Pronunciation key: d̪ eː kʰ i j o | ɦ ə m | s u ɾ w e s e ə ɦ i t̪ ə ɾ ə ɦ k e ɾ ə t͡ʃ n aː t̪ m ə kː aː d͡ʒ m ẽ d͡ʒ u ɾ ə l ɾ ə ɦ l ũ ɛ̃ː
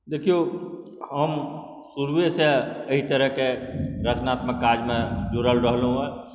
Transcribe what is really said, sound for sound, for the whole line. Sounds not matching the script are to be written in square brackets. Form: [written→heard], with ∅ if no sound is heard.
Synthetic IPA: d̪ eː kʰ i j o | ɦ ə m | s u ɾ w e s e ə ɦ i t̪ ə ɾ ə ɦ k e ɾ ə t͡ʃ n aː t̪ m ə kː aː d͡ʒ m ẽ d͡ʒ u ɾ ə l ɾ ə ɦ l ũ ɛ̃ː